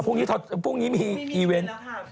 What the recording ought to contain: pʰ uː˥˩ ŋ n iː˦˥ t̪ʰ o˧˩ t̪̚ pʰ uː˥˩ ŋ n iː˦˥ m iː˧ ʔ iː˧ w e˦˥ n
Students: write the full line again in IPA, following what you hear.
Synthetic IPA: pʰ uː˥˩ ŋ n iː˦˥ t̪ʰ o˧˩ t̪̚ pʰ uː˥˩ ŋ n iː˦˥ m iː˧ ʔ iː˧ w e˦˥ n